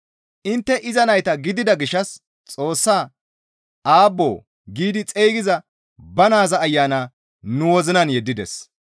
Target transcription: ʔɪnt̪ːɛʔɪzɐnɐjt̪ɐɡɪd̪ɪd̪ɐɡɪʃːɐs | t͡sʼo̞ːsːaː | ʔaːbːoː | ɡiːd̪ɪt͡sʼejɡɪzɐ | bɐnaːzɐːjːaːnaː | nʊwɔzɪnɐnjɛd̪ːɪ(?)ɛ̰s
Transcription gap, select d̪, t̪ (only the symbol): d̪